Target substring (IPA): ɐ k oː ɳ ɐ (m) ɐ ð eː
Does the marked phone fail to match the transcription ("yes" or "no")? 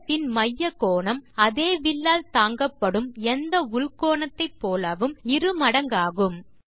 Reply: no